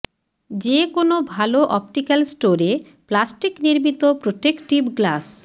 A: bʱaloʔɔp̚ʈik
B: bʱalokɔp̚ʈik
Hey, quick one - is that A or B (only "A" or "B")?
A